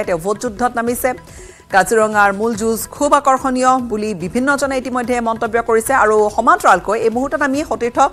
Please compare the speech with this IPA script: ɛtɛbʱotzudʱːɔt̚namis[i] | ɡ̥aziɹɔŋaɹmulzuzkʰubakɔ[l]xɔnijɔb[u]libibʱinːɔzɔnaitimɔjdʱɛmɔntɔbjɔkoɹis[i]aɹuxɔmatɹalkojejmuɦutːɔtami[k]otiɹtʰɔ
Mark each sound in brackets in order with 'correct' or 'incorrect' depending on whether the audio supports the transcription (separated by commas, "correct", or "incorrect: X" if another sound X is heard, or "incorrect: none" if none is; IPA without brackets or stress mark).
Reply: incorrect: ɛ, incorrect: ɹ, correct, incorrect: ɛ, incorrect: x